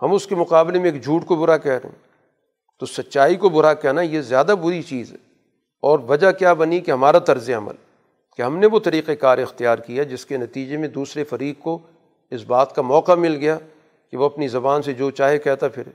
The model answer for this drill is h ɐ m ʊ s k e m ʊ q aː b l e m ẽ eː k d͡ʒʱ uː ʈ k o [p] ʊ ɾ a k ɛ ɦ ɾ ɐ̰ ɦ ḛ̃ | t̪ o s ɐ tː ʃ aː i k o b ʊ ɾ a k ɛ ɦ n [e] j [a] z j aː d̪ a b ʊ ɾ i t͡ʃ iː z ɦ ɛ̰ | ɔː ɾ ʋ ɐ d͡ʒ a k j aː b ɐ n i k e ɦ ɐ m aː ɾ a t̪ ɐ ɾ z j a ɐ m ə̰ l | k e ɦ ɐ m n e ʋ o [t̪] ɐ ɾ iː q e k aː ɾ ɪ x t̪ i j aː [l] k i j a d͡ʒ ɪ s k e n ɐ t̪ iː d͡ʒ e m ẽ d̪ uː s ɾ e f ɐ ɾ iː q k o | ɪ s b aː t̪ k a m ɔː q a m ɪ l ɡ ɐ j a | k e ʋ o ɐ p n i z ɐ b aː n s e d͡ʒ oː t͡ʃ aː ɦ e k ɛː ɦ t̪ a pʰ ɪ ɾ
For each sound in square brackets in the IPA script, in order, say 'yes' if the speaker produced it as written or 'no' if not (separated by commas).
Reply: no, no, no, yes, no